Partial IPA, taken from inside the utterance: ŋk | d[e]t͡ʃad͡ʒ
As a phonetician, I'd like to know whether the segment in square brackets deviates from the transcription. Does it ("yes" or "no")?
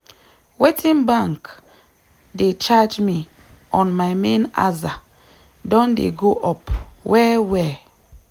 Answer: no